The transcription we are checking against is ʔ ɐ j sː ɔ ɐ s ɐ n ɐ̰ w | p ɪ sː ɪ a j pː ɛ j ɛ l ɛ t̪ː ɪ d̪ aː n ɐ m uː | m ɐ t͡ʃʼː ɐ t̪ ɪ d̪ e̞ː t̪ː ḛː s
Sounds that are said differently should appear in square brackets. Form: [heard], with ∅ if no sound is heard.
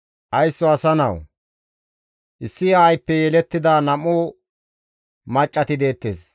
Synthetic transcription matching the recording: ʔ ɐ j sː ɔ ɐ s ɐ n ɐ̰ w | [ʔ] ɪ sː ɪ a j pː ɛ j ɛ l ɛ t̪ː ɪ d̪ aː n ɐ m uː | m ɐ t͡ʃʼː ɐ t̪ ɪ d̪ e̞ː t̪ː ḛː s